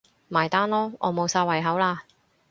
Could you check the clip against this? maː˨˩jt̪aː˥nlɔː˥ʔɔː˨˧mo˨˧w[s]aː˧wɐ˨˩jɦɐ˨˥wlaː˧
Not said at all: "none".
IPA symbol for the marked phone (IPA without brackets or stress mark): s